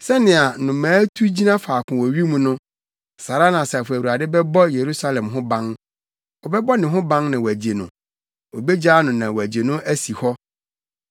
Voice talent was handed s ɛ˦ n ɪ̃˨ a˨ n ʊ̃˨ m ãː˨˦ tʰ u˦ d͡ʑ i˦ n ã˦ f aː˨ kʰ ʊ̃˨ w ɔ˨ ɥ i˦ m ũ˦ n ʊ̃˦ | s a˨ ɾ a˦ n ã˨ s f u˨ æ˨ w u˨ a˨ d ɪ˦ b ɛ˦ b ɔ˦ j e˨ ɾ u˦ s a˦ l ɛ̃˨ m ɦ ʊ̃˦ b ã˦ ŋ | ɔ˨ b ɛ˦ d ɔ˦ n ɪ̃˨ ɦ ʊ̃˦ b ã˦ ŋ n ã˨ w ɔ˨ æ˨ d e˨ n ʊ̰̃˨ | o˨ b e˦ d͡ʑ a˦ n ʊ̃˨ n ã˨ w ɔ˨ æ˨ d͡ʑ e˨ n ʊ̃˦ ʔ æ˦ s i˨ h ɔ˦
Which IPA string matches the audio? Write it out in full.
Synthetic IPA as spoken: s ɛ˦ n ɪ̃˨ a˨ n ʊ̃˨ m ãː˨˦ tʰ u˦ d͡ʑ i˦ n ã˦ f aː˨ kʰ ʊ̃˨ w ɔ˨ ɥ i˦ m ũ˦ n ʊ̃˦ | s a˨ ɾ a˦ n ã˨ s f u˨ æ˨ w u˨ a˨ d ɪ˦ b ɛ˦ b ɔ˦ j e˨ ɾ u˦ s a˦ l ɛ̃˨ m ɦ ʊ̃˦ b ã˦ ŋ | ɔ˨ b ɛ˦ b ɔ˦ n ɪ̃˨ ɦ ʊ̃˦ b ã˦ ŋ n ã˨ w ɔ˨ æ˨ d͡ʑ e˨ n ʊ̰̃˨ | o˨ b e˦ d͡ʑ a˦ n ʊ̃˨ n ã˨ w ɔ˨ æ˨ d͡ʑ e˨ n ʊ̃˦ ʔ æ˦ s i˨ h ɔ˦